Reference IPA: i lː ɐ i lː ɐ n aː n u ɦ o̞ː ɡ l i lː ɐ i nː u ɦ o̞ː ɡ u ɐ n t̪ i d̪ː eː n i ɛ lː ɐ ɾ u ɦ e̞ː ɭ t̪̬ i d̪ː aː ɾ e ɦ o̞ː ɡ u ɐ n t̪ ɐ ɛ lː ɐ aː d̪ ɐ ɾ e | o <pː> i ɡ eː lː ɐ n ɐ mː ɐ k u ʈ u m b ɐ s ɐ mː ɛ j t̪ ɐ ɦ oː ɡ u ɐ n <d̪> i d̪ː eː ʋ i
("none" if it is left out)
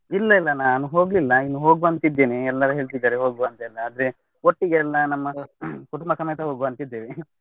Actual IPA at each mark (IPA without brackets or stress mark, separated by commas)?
ʈː, t̪